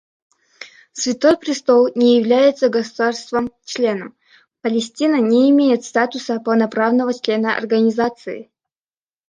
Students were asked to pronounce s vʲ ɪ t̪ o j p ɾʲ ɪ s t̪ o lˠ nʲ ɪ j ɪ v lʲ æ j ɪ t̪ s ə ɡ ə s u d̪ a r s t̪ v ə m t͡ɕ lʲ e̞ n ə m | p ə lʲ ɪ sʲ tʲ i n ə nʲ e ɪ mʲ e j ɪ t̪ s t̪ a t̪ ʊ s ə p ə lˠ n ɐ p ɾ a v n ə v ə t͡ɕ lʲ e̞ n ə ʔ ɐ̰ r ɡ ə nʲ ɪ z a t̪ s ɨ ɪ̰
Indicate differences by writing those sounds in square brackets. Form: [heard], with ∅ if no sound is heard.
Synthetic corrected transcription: s vʲ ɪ t̪ o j p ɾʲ ɪ s t̪ o lˠ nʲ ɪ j ɪ v lʲ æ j ɪ t̪ s ə ɡ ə s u d̪ a r s t̪ v ə m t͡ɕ lʲ e̞ n ə m | p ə lʲ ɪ sʲ tʲ i n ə nʲ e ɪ mʲ e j ɪ t̪ s t̪ a t̪ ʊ s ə p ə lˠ n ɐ p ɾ a v n ə v ə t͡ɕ lʲ e̞ n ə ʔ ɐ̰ r ɡ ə nʲ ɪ z a t̪ s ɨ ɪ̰